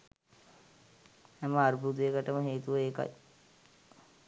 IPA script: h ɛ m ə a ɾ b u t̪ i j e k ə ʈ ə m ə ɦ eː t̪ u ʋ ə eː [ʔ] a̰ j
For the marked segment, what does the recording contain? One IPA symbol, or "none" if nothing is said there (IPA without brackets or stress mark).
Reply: k